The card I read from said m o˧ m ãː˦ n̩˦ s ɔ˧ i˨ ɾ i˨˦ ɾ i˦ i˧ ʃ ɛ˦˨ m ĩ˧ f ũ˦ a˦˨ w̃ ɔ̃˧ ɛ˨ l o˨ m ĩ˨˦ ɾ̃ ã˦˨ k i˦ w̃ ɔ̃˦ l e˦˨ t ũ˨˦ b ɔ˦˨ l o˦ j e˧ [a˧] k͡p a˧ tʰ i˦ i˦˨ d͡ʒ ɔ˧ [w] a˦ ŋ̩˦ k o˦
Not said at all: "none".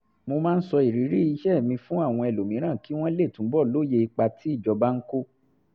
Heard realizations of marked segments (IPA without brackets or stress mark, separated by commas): i˧, b